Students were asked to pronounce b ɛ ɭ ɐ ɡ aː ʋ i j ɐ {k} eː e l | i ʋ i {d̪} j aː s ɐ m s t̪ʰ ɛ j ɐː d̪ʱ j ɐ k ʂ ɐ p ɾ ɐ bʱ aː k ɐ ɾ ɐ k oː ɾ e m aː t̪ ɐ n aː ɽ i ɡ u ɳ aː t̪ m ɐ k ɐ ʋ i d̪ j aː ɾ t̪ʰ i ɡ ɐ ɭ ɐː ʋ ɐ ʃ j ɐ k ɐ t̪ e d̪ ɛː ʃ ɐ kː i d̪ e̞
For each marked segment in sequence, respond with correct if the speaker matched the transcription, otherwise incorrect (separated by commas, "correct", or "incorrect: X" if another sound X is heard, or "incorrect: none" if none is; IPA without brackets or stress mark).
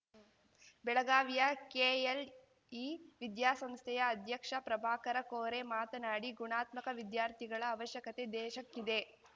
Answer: correct, correct